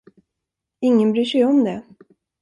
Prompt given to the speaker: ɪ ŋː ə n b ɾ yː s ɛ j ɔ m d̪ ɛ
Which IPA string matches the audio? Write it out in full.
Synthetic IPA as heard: ɪ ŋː ə n b ɾ yː ʂ ɛ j ɔ m d̪ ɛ